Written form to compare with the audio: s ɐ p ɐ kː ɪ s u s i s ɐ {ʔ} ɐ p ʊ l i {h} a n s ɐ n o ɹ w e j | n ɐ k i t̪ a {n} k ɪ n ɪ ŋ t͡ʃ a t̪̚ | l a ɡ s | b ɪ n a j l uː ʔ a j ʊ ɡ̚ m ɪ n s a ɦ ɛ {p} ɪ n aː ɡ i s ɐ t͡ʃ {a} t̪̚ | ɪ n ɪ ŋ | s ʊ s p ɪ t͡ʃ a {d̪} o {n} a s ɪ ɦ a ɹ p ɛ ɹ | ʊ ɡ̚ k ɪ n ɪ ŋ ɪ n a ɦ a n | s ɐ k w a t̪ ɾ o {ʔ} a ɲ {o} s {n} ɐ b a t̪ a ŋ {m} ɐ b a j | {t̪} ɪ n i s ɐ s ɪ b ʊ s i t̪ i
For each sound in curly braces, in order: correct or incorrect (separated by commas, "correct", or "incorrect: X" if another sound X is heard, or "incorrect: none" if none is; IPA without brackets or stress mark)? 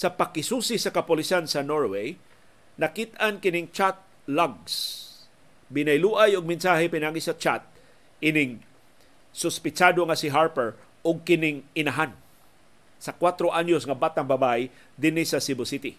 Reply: incorrect: k, incorrect: s, correct, correct, correct, correct, incorrect: ŋ, correct, correct, incorrect: ŋ, incorrect: b, incorrect: d̪